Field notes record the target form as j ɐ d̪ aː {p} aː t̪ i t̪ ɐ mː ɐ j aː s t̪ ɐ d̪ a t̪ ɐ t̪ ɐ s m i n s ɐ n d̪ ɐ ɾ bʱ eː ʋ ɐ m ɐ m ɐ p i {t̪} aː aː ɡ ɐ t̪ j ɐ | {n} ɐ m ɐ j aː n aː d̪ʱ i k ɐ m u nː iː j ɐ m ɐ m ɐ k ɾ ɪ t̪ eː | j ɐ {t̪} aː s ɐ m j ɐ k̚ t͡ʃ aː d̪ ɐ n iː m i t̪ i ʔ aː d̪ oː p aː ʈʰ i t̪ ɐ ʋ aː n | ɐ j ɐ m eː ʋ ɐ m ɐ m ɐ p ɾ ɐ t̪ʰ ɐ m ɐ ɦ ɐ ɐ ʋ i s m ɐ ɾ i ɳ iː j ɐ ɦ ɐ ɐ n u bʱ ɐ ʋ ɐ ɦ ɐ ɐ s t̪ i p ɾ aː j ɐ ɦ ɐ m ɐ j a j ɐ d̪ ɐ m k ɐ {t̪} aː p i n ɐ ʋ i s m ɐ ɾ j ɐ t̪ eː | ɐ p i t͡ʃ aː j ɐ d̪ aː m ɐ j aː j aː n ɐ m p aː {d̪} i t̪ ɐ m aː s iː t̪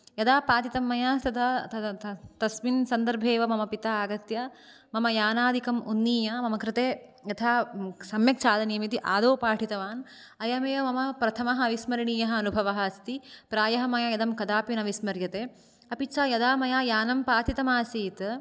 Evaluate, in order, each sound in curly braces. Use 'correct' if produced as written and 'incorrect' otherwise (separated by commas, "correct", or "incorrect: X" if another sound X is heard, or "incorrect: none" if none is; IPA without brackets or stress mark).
correct, correct, incorrect: m, incorrect: t̪ʰ, incorrect: d̪, incorrect: t̪